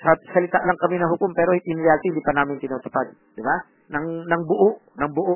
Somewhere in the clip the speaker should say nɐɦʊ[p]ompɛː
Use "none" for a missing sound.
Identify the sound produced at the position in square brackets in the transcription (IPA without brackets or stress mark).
k